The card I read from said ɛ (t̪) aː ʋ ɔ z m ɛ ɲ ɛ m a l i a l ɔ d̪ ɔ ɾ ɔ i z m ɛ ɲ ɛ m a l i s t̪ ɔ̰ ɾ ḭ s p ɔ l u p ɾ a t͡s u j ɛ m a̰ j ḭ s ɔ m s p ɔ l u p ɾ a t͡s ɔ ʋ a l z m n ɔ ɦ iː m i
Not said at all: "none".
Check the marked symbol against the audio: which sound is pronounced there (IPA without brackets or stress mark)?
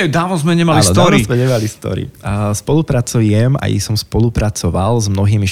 d̪